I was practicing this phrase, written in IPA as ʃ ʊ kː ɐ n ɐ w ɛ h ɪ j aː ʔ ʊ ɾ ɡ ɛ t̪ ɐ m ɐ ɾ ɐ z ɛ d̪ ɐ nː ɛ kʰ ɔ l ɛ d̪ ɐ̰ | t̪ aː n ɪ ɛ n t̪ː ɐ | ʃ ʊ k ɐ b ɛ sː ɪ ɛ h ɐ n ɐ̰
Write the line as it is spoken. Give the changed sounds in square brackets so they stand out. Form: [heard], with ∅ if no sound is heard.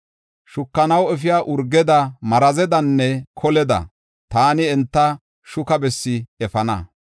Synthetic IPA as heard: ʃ ʊ kː ɐ n ɐ w ɛ [f] ɪ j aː ʔ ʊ ɾ ɡ ɛ [d̪] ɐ m ɐ ɾ ɐ z ɛ d̪ ɐ nː ɛ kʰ ɔ l ɛ d̪ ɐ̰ | t̪ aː n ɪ ɛ n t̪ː ɐ | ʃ ʊ k ɐ b ɛ sː ɪ ɛ [f] ɐ n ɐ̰

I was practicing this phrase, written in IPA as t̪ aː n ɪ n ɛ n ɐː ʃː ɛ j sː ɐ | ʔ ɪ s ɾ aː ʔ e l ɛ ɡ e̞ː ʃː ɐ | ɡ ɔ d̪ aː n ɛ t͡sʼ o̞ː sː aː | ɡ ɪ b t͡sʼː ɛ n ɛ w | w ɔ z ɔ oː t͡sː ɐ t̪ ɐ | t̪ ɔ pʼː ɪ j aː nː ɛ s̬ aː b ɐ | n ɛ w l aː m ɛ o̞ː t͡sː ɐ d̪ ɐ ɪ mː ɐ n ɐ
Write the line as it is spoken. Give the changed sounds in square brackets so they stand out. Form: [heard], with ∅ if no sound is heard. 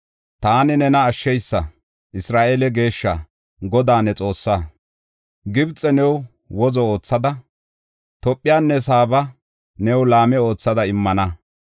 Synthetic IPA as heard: t̪ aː n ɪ n ɛ n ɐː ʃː ɛ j sː ɐ | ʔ ɪ s ɾ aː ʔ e l ɛ ɡ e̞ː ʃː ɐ | ɡ ɔ d̪ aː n ɛ t͡sʼ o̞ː sː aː | ɡ ɪ b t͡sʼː ɛ n ɛ w | w ɔ z ɔ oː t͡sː ɐ [d̪] ɐ | t̪ ɔ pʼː ɪ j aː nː ɛ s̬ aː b ɐ | n ɛ w l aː m ɛ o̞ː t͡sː ɐ d̪ ɐ ɪ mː ɐ n ɐ

